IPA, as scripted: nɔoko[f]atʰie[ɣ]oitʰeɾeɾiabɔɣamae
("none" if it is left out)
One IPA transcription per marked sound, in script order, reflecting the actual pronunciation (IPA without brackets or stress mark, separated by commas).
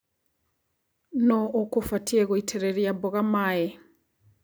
f, ɣ